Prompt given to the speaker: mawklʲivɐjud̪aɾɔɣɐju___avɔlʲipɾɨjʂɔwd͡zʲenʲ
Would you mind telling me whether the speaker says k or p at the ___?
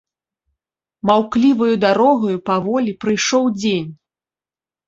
p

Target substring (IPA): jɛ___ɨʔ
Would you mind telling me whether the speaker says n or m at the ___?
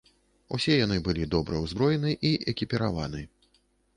n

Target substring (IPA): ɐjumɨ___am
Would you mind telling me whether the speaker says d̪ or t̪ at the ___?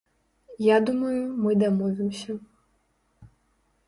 d̪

